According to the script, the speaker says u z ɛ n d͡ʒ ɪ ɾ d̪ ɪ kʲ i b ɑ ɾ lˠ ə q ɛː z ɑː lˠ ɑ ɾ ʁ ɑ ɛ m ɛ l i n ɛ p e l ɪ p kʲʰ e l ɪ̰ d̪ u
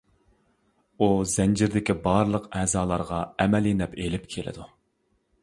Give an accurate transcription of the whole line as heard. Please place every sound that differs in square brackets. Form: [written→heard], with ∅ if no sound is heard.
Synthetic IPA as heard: u z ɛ n d͡ʒ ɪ ɾ d̪ ɪ kʲ i b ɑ ɾ lˠ ə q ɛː z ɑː lˠ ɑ ɾ ʁ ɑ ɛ m ɛ l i n ɛ p e l ɪ p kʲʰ e l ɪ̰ d̪ u

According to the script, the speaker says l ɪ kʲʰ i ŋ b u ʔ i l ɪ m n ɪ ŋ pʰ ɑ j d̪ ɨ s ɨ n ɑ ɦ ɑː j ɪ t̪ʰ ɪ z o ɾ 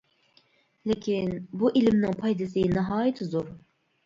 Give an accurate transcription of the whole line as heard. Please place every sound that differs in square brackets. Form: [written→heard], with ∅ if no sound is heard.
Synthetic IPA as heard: l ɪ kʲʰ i [ŋ→n] b u ʔ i l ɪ m n ɪ ŋ pʰ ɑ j d̪ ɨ s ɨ n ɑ ɦ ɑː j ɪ t̪ʰ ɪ z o ɾ

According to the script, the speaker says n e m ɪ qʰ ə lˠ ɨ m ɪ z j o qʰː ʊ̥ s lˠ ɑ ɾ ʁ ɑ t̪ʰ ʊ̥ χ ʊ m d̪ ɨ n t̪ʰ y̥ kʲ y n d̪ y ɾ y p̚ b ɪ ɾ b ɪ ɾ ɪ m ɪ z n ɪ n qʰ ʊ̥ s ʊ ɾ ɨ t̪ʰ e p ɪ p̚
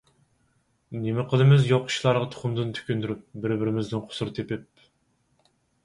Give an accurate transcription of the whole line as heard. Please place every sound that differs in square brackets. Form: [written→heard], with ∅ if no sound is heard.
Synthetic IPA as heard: n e m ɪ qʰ ə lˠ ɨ m ɪ z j o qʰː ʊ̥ [s→ʃ] lˠ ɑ ɾ ʁ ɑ t̪ʰ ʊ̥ χ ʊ m d̪ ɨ n t̪ʰ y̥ kʲ y n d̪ y ɾ y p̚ b ɪ ɾ b ɪ ɾ ɪ m ɪ z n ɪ n qʰ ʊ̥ s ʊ ɾ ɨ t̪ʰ e p ɪ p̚

